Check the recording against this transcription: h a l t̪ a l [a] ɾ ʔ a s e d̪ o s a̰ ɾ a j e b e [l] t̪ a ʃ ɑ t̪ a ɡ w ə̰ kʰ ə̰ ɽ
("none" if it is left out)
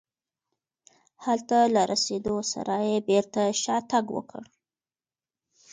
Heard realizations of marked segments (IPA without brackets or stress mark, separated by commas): a, ɾ